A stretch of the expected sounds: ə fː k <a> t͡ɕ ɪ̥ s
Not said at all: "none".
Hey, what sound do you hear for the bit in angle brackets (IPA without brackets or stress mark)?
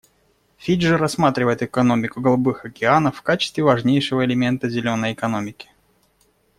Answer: a